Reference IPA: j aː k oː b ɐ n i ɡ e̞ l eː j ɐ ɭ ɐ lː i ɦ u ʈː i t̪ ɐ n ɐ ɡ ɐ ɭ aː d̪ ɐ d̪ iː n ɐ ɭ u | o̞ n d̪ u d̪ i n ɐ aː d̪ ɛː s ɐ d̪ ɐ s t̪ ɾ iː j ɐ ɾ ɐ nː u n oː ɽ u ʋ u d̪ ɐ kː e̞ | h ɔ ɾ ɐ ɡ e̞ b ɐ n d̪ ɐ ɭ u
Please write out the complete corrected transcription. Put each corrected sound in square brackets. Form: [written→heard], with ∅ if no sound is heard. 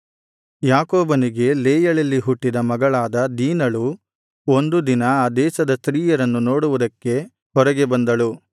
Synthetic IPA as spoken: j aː k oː b ɐ n i ɡ e̞ l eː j ɐ ɭ ɐ lː i ɦ u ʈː i [t̪→d̪] ɐ [n→m] ɐ ɡ ɐ ɭ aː d̪ ɐ d̪ iː n ɐ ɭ u | o̞ n d̪ u d̪ i n ɐ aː d̪ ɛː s ɐ d̪ ɐ s t̪ ɾ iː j ɐ ɾ ɐ nː u n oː ɽ u ʋ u d̪ ɐ kː e̞ | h ɔ ɾ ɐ ɡ e̞ b ɐ n d̪ ɐ ɭ u